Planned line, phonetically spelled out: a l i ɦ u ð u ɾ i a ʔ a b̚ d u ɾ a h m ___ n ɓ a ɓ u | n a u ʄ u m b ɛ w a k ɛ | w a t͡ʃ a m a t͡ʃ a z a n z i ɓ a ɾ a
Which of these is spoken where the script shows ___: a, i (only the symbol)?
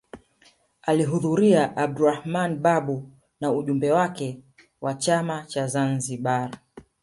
a